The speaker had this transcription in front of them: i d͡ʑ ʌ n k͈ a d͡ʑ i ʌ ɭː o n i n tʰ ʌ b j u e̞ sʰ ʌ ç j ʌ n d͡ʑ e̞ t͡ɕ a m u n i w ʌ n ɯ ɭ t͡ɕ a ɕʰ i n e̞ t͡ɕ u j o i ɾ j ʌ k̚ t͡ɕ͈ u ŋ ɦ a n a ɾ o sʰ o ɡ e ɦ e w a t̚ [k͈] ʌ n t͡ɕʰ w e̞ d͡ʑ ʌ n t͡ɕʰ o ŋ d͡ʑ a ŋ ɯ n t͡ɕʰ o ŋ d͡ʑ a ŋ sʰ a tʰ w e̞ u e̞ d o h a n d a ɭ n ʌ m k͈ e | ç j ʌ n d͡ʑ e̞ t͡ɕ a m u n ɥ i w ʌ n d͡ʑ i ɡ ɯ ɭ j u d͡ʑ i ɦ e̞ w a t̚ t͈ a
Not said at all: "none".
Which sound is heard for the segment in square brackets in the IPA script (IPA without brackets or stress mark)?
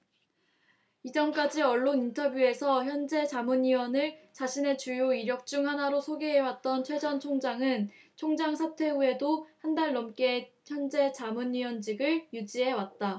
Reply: t͈